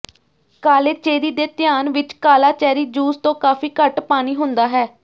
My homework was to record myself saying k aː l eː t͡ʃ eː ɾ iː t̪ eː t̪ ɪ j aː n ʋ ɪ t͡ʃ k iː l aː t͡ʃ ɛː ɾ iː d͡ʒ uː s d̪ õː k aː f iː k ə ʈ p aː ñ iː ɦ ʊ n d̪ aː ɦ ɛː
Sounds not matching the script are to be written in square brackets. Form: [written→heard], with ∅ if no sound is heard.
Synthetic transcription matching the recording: k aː l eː t͡ʃ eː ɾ iː [t̪→d̪] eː t̪ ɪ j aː n ʋ ɪ t͡ʃ k [iː→aː] l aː t͡ʃ ɛː ɾ iː d͡ʒ uː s [d̪→t̪] õː k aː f iː k ə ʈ p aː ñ iː ɦ ʊ n d̪ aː ɦ ɛː